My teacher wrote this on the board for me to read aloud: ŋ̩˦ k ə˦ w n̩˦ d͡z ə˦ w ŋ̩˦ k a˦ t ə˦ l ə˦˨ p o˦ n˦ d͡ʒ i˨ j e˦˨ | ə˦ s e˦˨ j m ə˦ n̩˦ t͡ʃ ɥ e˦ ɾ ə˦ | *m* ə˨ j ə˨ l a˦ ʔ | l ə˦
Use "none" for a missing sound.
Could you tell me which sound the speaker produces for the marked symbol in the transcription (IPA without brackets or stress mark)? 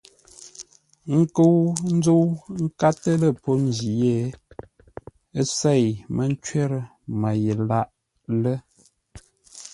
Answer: m